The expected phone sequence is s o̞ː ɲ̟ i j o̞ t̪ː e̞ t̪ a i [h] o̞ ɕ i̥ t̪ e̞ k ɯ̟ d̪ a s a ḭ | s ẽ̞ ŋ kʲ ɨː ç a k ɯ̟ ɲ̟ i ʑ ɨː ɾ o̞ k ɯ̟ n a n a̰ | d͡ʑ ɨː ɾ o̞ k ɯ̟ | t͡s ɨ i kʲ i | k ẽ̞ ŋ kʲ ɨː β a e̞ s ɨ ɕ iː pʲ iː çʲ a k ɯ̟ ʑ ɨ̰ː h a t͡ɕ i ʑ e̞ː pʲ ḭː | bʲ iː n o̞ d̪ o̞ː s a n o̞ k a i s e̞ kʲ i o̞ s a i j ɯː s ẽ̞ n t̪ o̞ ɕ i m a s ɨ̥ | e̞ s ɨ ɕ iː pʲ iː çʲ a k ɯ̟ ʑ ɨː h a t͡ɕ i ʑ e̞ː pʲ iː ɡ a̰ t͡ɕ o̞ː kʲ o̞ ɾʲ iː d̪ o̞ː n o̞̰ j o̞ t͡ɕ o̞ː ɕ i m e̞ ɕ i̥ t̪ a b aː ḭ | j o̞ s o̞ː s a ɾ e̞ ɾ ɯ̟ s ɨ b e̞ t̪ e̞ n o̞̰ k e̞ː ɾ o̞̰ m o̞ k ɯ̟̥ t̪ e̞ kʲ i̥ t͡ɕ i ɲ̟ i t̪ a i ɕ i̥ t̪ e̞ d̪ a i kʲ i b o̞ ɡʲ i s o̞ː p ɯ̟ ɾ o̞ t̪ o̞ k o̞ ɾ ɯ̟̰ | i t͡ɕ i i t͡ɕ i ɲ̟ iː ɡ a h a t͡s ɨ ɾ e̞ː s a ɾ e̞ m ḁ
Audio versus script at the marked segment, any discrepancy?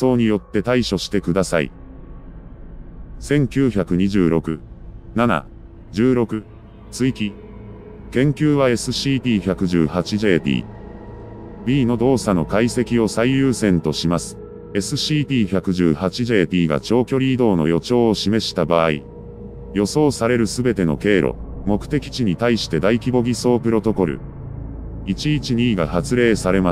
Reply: yes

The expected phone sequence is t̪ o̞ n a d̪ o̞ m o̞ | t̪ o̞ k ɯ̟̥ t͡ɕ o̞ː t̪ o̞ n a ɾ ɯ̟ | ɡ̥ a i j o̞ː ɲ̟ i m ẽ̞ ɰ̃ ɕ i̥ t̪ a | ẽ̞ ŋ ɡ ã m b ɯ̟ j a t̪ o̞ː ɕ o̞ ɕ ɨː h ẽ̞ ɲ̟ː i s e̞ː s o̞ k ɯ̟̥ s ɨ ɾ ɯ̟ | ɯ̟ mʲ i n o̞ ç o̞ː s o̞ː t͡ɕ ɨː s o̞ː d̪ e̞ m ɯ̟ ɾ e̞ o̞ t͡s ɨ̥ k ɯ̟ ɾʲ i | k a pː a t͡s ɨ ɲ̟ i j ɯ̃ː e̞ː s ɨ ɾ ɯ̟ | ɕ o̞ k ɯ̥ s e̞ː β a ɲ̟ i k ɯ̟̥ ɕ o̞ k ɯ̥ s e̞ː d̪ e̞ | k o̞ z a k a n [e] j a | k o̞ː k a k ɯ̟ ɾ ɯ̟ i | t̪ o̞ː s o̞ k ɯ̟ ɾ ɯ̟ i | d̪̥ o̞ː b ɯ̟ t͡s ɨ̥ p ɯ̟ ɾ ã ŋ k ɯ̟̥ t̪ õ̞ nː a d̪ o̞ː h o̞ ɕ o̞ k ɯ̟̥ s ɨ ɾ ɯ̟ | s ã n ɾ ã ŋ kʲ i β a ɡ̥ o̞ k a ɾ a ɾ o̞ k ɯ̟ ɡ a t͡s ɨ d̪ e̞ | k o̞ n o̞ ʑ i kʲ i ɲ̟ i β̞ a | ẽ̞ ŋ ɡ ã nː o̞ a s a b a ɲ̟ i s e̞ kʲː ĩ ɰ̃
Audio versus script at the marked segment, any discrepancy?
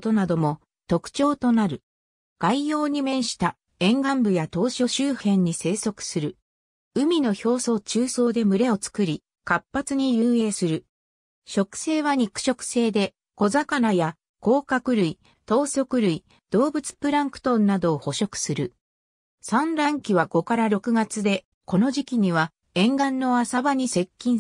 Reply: yes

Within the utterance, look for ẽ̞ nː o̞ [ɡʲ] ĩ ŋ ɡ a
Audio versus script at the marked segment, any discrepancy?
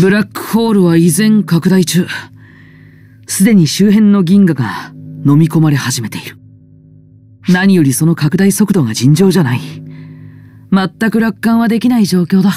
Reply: no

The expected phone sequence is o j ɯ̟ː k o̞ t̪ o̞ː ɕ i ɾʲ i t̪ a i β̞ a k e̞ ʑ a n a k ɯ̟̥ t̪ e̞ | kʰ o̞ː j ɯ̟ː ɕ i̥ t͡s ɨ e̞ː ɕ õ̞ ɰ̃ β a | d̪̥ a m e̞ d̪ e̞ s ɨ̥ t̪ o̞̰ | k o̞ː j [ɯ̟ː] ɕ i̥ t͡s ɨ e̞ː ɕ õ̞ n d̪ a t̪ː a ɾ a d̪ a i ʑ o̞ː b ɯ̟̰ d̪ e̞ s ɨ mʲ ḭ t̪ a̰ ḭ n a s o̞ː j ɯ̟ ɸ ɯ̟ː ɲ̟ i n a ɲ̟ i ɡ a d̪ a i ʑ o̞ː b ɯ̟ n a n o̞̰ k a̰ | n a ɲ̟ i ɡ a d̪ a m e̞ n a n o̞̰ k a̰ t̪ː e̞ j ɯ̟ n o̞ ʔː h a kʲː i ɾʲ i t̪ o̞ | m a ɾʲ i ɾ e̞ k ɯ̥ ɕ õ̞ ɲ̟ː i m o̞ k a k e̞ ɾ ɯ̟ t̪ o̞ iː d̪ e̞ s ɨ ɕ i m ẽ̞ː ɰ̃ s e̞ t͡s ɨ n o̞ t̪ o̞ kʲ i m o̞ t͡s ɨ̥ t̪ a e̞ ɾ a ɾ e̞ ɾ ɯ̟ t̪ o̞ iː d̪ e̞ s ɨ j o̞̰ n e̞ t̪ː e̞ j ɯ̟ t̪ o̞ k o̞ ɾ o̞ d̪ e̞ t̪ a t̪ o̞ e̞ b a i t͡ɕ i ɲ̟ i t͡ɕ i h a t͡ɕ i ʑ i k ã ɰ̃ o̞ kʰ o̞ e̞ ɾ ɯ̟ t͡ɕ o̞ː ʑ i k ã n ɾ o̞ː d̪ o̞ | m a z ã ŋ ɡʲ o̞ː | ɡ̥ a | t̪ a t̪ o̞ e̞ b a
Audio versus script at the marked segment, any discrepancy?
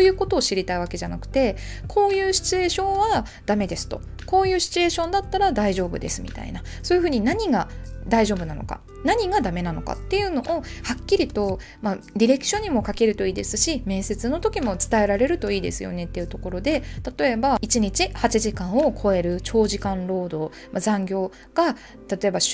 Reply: no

